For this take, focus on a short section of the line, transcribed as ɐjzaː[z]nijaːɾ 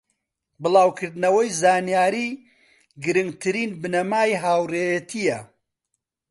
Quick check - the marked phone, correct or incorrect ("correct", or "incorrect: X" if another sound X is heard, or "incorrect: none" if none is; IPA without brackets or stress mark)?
incorrect: none